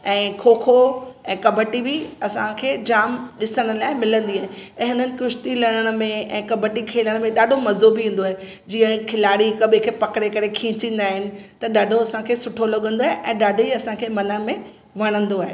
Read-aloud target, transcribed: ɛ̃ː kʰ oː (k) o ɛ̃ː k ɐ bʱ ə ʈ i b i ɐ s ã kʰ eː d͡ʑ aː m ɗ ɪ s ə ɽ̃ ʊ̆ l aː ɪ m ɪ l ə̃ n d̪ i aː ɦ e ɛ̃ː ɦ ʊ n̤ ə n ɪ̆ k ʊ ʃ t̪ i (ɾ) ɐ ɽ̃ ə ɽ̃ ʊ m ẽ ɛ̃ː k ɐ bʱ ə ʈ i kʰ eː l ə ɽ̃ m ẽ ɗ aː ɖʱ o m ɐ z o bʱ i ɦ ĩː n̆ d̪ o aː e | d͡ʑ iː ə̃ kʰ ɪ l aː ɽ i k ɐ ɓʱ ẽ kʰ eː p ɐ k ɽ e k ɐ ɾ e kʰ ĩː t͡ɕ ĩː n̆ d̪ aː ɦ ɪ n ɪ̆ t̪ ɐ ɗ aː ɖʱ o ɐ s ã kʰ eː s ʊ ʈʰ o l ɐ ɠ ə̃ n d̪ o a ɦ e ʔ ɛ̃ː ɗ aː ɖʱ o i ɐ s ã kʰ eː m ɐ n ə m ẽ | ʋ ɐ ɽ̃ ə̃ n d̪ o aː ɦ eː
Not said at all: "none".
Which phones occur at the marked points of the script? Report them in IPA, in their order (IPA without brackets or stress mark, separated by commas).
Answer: kʰ, l